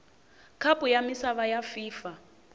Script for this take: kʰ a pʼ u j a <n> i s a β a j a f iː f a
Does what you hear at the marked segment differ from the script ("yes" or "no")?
yes